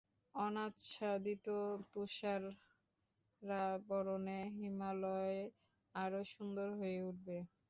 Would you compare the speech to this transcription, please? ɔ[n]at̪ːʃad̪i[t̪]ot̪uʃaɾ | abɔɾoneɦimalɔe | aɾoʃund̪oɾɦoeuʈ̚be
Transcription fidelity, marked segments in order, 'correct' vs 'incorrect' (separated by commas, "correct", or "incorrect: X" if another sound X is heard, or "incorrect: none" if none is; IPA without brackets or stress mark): correct, correct